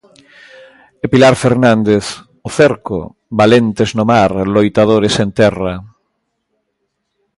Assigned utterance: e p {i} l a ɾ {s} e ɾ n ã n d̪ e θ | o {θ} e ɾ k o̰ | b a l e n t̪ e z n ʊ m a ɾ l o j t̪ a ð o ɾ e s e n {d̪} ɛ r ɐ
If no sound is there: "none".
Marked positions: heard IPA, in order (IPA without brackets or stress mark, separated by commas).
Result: i, f, θ, t̪